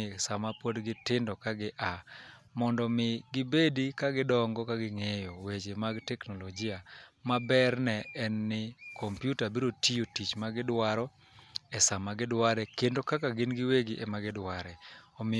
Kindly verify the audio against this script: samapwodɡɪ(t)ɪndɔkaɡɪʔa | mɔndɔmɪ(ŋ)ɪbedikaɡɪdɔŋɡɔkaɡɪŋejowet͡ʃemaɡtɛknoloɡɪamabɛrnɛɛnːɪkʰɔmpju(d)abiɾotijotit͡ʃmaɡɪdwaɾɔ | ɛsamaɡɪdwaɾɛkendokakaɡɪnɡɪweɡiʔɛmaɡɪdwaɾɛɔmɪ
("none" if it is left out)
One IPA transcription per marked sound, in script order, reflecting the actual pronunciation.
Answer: t, ɡ, t

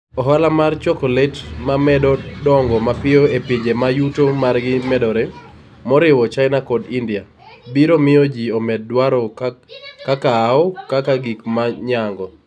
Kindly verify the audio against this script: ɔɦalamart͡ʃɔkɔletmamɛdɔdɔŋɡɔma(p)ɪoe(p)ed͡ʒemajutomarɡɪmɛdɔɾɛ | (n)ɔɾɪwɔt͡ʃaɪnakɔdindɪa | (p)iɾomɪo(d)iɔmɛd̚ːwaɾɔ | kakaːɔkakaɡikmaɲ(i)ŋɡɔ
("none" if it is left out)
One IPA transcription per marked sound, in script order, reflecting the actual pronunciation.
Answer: p, p, m, b, d͡ʒ, a

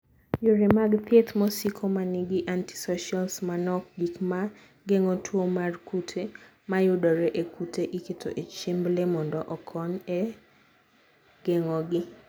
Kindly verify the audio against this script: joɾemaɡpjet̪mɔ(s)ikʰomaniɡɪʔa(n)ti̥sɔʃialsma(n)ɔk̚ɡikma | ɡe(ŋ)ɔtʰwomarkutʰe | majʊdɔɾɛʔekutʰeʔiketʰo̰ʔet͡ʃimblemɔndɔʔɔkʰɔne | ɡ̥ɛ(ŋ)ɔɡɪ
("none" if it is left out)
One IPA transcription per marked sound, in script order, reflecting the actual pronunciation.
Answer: s, n, n, ŋ, ŋ

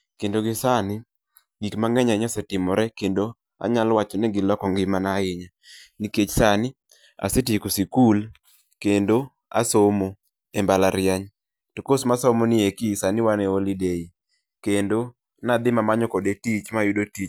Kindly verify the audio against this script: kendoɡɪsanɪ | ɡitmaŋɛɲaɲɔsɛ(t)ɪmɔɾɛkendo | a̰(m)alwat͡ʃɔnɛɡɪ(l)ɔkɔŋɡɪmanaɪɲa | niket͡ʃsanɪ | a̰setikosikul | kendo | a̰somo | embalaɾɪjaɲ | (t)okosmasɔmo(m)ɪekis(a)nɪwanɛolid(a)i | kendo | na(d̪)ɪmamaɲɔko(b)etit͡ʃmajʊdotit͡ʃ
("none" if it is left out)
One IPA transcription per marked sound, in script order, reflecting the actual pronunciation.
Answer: t, ɲ, l, t, n, a, e, d̪, d

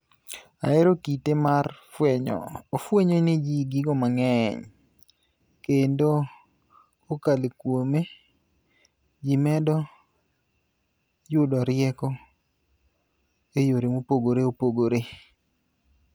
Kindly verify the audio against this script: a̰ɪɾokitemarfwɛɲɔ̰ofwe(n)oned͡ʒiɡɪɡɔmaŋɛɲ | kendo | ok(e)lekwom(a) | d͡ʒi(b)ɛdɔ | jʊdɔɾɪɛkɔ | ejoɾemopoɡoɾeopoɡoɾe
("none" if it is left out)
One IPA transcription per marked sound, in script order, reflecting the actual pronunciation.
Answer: ɲ, a, e, m

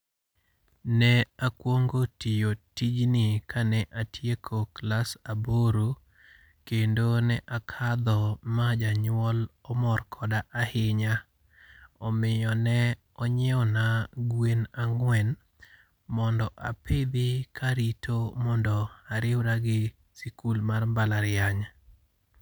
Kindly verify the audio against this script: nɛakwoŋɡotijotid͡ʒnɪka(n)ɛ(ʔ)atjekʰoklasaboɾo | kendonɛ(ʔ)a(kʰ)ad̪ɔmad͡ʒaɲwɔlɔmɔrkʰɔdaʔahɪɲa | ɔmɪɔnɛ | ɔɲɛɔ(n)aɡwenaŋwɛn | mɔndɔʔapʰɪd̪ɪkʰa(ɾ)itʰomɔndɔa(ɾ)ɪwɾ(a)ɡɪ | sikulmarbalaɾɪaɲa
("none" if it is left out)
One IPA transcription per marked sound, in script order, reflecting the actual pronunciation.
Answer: n, ʔ, ʔ, kʰ, n, ɾ, ɾ, a

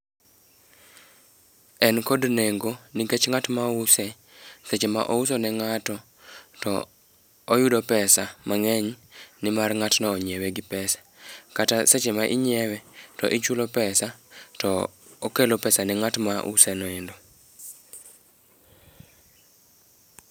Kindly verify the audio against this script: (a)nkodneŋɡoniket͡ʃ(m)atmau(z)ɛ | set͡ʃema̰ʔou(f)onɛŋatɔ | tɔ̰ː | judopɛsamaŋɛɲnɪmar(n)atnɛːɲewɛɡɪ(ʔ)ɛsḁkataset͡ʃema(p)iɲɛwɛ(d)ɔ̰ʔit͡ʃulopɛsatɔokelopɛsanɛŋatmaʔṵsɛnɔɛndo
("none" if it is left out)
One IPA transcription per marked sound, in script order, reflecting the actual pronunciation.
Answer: ɛ, ŋ, s, s, ŋ, p, ʔ, t

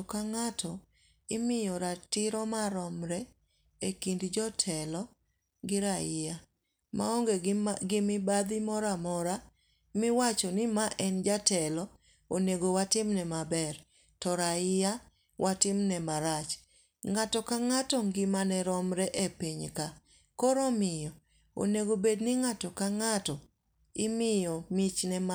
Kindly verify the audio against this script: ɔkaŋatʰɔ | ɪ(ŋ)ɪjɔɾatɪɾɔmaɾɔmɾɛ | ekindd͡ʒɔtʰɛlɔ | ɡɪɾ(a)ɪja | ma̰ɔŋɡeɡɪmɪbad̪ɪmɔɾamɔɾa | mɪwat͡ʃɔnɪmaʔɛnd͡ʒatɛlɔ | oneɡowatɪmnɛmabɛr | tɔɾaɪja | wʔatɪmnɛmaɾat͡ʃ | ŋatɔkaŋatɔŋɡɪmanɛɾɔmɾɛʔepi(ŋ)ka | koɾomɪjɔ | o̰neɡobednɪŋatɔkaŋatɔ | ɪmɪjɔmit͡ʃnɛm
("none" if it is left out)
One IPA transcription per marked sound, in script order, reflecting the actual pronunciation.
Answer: m, a, ɲ

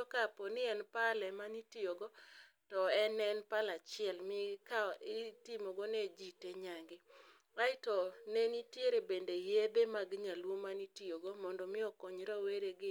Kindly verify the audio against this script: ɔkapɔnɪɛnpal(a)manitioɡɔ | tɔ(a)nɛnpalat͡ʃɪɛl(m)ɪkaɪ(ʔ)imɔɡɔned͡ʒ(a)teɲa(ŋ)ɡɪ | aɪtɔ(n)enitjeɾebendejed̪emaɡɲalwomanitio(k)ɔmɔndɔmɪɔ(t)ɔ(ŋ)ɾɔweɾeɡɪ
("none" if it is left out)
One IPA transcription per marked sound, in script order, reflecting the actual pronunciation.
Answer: ɛ, ɛ, m, t, i, ŋ, n, ɡ, k, ɲ

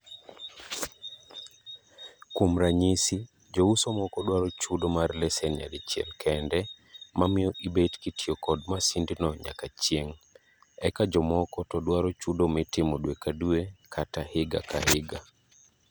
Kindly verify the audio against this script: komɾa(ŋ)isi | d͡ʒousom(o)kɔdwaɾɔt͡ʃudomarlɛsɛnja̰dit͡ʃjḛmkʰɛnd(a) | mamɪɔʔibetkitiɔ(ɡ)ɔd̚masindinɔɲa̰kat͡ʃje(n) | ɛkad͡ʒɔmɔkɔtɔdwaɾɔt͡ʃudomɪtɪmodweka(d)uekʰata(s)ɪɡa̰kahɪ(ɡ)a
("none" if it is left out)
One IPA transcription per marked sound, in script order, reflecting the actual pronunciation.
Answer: ɲ, ɔ, ɛ, k, ŋ, d, h, ɡ

